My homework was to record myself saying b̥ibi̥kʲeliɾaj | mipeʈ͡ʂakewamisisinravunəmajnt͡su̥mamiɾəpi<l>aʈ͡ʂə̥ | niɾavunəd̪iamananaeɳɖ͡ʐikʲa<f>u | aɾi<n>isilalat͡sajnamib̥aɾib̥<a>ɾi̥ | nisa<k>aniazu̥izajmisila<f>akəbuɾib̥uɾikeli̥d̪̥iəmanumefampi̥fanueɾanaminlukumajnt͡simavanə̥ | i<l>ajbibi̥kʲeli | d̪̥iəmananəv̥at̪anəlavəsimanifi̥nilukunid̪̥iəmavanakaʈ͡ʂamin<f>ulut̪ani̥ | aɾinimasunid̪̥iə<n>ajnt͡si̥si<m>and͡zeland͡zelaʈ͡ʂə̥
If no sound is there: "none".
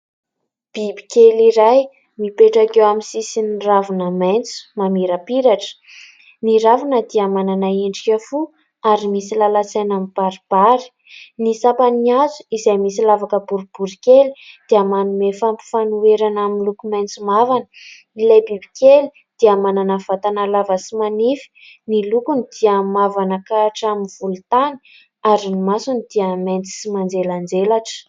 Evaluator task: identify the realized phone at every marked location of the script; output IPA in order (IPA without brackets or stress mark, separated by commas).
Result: ɾ, f, m, a, p, v, l, v, m, m